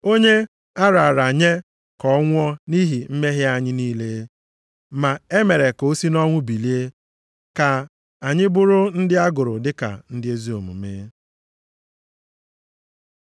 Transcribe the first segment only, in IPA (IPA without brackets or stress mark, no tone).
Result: o